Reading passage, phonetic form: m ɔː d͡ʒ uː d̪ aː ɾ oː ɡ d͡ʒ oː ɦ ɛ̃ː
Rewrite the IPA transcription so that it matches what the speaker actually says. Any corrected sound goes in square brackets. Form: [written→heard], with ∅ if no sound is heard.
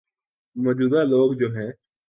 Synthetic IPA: m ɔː d͡ʒ uː d̪ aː [ɾ→l] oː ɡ d͡ʒ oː ɦ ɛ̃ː